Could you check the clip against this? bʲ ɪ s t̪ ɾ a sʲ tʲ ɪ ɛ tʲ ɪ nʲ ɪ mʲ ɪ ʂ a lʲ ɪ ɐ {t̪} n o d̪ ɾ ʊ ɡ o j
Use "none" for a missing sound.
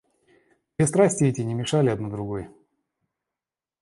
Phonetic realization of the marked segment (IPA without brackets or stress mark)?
d̪